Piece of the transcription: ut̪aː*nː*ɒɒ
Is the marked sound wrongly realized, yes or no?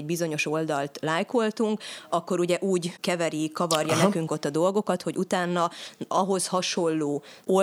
no